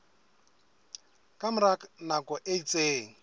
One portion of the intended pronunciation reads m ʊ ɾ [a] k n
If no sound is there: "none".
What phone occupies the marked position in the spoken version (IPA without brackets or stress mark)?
a